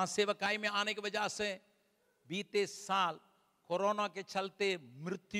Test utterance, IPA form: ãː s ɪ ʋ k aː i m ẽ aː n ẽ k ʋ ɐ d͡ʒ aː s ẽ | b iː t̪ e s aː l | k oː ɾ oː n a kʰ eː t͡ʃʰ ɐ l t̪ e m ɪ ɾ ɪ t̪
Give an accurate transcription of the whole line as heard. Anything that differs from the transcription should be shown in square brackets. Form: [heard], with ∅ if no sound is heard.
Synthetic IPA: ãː s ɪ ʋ k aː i m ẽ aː n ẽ k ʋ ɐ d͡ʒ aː s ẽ | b iː t̪ e s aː l | k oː ɾ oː n a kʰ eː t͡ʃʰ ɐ l t̪ e m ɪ ɾ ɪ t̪